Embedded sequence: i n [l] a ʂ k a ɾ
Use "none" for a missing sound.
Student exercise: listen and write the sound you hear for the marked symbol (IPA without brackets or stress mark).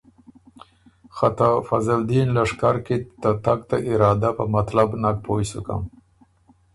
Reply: l